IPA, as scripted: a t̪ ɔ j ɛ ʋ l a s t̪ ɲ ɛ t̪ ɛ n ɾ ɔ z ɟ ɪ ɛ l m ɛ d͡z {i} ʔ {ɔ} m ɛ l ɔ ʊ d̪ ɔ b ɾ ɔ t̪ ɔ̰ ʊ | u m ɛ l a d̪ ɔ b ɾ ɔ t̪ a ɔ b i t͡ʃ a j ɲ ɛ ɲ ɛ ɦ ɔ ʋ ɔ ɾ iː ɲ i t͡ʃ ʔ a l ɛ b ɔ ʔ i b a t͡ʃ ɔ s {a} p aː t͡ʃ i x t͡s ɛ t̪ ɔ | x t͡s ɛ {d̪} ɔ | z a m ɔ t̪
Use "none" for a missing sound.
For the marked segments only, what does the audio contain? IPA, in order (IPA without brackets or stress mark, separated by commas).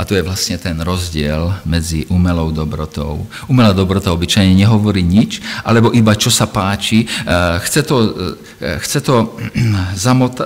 i, u, a, t̪